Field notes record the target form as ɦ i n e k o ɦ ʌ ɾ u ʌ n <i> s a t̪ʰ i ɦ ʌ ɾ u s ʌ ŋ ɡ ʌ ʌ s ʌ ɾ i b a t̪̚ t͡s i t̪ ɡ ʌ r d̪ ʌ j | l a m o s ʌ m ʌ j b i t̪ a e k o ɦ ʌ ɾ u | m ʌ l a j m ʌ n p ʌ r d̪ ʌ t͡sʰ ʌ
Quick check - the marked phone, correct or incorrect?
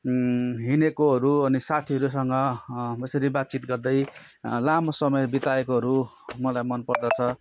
correct